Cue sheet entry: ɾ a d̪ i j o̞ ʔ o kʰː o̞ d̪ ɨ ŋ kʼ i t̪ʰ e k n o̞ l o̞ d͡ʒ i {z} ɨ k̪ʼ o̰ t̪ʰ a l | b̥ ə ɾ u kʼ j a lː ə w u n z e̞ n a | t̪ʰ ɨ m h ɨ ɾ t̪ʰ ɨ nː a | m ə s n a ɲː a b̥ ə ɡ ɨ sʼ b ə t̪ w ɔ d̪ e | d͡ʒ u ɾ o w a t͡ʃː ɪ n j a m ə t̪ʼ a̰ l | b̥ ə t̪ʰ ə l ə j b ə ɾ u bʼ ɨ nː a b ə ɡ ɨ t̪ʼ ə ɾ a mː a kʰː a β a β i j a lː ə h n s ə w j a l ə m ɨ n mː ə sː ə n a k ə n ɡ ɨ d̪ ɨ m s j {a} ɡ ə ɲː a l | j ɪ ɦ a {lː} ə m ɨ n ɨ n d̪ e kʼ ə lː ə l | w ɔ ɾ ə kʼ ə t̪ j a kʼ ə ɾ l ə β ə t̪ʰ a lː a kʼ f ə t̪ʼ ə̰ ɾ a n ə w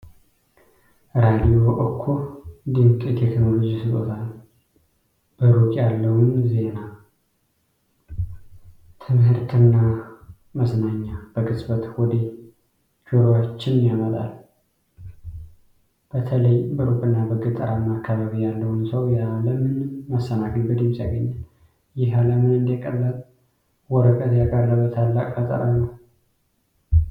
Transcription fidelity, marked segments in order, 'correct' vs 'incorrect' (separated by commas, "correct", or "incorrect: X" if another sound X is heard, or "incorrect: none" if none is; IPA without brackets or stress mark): incorrect: s, correct, incorrect: l